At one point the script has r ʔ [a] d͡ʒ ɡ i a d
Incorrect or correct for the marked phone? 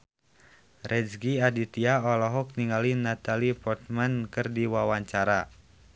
incorrect: ɛ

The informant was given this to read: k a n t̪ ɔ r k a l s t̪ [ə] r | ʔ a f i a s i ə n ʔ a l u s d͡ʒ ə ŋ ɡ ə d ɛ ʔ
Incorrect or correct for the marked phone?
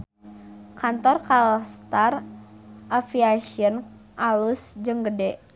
incorrect: a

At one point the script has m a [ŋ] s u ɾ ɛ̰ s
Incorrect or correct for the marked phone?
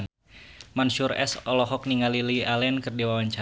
incorrect: n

